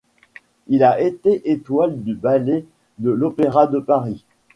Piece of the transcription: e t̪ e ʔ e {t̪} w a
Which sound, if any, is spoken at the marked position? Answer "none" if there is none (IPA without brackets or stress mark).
t̪